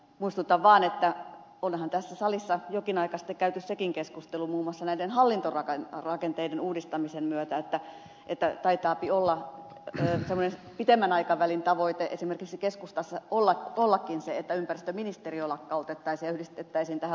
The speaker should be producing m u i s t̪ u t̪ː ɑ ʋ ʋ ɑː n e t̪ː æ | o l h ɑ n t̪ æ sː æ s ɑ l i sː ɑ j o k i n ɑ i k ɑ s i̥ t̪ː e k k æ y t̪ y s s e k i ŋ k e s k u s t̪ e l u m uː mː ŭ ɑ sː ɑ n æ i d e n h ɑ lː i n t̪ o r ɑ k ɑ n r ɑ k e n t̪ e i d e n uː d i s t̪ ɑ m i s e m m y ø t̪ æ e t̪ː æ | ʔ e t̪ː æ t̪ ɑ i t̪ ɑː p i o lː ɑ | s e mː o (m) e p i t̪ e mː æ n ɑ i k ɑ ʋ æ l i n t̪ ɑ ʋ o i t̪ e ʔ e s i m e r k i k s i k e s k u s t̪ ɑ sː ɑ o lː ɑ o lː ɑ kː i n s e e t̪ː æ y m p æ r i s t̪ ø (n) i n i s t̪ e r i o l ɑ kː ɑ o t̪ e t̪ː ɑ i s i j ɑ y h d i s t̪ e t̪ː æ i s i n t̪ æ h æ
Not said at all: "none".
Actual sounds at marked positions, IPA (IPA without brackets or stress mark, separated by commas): n, m